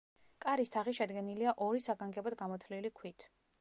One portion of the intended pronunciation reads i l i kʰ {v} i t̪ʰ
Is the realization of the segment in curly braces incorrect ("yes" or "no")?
yes